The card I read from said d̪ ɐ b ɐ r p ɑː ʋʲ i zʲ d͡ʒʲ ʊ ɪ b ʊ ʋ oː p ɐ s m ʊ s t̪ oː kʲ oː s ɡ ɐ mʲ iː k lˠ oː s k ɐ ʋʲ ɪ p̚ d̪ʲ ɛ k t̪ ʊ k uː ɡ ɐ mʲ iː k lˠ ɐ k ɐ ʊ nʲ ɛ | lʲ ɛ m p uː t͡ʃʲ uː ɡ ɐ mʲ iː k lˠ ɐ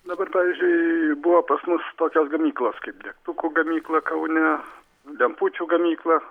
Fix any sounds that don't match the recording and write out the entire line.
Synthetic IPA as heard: d̪ ɐ b ɐ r p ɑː ʋʲ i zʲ d͡ʒʲ ʊ ɪ b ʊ ʋ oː p ɐ s m ʊ s t̪ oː kʲ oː s ɡ ɐ mʲ iː k lˠ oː s k ɐ ɪ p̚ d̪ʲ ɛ k t̪ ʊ k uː ɡ ɐ mʲ iː k lˠ ɐ k ɐ ʊ nʲ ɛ | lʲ ɛ m p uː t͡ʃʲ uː ɡ ɐ mʲ iː k lˠ ɐ